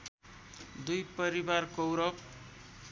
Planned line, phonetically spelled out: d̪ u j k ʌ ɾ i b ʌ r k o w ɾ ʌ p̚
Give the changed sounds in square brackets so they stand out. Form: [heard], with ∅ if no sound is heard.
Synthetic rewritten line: d̪ u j [p] ʌ ɾ i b [a] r k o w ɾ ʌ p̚